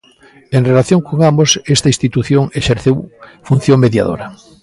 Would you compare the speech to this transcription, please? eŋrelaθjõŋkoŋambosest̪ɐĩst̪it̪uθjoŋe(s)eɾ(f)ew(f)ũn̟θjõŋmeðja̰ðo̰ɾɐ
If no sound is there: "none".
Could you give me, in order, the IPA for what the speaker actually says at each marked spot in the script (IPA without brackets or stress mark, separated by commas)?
ʃ, θ, f